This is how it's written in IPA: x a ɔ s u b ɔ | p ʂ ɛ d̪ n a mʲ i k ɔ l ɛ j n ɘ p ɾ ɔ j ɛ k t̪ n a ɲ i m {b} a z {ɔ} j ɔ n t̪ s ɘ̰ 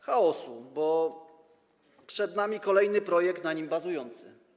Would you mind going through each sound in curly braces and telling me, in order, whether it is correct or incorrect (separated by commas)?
correct, incorrect